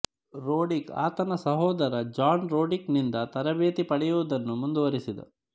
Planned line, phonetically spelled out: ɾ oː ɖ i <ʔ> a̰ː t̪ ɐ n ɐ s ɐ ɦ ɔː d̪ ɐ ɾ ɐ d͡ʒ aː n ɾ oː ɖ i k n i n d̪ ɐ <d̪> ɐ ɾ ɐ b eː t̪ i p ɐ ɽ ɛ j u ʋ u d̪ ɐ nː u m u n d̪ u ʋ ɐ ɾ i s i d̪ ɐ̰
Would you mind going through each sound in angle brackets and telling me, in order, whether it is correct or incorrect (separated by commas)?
incorrect, incorrect